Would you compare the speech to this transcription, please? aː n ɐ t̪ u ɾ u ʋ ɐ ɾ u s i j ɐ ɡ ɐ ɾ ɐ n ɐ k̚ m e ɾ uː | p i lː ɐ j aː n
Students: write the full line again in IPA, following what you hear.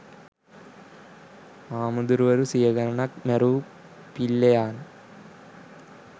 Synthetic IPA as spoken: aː m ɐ d̪ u ɾ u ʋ ɐ ɾ u s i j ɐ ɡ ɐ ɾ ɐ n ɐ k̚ m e ɾ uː | p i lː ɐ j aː n

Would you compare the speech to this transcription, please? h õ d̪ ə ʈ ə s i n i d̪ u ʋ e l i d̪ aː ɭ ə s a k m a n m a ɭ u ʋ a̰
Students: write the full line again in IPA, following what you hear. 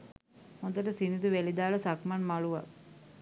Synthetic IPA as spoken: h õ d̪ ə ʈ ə s i n i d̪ u ʋ e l i d̪ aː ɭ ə s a k m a n m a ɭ u ʋ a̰

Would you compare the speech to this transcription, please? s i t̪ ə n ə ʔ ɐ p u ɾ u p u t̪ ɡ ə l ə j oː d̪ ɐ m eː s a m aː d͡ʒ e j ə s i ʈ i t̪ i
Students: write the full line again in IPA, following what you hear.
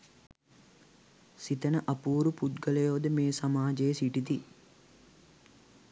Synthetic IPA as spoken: s i t̪ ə n ə ʔ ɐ p uː ɾ u p u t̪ ɡ ə l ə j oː d̪ ə m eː s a m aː d͡ʒ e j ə s i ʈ i t̪ i

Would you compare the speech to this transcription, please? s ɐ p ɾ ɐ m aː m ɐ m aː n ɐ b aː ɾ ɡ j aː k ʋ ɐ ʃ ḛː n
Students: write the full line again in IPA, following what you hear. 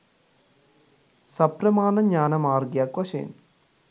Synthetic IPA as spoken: s ɐ p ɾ ɐ m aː n ɐ ɲ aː n ɐ m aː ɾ ɡ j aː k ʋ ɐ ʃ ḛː n

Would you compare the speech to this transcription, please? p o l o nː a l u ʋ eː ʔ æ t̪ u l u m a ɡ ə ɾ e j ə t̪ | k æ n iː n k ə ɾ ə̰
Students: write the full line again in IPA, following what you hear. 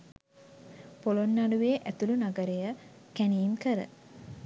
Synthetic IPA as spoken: p o l o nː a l u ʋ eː ʔ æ t̪ u l u n a ɡ ə ɾ e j ə | k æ n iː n k ə ɾ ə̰

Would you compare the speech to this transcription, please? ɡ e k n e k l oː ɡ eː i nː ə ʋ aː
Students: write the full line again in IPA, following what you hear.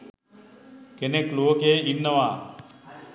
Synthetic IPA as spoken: k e n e k l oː k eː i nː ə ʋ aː

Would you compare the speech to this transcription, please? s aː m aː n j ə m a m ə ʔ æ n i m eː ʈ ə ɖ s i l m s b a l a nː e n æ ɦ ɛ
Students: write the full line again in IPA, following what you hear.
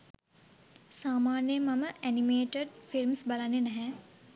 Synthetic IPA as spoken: s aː m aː n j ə m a m ə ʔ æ n i m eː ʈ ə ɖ f i l m s b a l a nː e n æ ɦ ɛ

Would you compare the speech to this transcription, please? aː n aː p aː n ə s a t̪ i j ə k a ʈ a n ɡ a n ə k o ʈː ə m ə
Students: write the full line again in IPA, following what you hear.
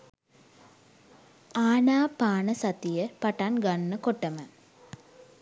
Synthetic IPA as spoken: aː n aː p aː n ə s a t̪ i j ə p a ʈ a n ɡ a nː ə k o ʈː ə m ə

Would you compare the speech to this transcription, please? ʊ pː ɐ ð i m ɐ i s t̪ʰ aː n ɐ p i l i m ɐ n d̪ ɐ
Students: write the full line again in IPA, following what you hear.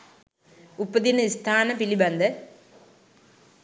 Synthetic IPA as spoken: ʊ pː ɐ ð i n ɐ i s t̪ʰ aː n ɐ p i l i b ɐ n d̪ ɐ

